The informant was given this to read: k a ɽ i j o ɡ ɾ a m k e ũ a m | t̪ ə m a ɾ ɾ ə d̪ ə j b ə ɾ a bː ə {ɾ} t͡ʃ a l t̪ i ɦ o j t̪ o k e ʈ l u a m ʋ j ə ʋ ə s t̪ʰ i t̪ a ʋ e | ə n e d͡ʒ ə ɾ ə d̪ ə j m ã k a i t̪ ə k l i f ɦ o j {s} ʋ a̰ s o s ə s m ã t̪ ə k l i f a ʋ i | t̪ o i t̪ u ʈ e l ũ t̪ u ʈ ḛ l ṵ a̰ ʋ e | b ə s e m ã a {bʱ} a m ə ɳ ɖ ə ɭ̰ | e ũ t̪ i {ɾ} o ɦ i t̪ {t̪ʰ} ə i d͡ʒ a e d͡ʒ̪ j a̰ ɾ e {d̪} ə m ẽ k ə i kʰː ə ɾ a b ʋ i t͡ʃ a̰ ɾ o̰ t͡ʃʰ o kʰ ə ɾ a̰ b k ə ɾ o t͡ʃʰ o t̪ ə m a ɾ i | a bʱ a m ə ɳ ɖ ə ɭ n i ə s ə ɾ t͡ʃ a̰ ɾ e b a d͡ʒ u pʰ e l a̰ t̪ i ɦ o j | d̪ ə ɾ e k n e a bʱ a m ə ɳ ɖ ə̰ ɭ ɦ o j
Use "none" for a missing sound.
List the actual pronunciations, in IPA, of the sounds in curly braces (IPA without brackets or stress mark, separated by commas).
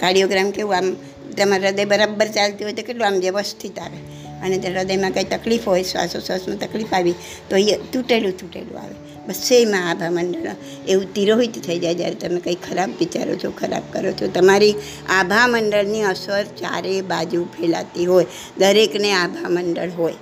ɾ, s, bʱ, ɾ, t̪ʰ, t̪